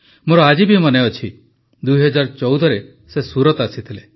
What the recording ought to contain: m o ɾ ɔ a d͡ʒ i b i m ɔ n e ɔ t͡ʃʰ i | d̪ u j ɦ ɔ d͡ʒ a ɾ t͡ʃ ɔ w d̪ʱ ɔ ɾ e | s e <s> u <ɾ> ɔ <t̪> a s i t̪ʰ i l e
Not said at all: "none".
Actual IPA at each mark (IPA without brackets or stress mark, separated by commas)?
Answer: s, ɾ, t̪